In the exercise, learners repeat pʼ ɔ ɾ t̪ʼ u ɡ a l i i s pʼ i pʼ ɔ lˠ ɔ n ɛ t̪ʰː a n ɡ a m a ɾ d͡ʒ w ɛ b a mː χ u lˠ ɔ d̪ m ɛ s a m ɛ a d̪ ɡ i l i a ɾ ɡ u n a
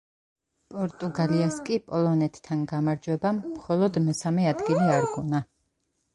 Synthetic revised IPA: pʼ ɔ ɾ t̪ʼ u ɡ a l i a s kʼ i pʼ ɔ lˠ ɔ n ɛ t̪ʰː a n ɡ a m a ɾ d͡ʒ w ɛ b a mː χ ɔ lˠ ɔ d̪ m ɛ s a m ɛ a d̪ ɡ i l i a ɾ ɡ u n a